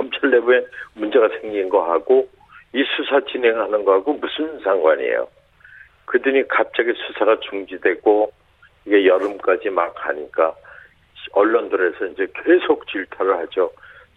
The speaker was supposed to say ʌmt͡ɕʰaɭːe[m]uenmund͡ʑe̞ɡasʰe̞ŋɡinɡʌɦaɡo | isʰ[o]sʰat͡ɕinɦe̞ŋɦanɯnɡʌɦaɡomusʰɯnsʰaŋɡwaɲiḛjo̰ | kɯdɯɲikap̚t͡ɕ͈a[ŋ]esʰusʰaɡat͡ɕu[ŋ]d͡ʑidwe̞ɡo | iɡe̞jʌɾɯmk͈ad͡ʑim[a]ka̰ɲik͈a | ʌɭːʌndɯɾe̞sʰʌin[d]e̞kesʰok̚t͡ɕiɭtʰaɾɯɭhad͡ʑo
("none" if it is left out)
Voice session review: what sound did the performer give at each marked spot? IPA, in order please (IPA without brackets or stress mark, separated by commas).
b, u, ɡ, ŋ, a, d͡ʑ